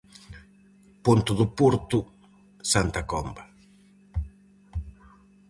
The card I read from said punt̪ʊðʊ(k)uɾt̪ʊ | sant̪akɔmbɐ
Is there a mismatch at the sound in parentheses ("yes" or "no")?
yes